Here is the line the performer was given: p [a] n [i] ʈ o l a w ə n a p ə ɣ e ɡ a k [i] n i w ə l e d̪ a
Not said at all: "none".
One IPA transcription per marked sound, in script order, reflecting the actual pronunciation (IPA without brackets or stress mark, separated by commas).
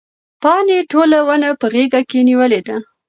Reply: ɑ, e, e